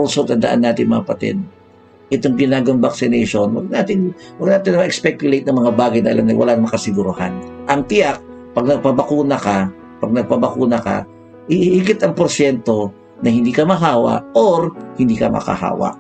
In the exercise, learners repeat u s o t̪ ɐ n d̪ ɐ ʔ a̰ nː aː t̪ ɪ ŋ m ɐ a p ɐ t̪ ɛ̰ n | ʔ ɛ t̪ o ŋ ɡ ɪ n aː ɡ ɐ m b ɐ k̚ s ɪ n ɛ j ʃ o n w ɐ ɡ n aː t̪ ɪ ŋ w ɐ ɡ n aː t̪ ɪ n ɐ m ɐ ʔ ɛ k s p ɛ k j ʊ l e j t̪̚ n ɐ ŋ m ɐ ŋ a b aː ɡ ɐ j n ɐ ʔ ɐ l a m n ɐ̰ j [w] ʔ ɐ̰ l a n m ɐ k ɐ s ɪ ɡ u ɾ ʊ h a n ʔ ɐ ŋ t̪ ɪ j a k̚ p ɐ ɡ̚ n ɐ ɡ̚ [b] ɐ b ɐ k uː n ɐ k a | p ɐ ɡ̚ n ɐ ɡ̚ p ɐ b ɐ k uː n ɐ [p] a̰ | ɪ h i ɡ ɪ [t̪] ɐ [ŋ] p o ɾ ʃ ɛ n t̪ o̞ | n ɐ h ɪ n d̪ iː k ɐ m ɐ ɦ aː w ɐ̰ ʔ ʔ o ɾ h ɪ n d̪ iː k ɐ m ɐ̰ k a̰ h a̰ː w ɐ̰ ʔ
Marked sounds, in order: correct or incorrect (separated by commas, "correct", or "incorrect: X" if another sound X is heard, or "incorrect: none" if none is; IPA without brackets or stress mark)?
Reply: correct, incorrect: p, incorrect: k, correct, correct